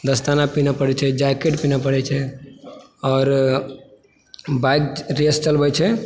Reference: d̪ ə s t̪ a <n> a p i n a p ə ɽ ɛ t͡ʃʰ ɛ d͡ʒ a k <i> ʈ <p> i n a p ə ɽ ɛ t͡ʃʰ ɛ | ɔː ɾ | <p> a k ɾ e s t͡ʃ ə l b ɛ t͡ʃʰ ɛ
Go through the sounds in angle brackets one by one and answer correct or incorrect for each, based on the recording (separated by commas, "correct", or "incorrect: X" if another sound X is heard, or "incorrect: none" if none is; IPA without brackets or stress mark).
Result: correct, incorrect: e, correct, incorrect: b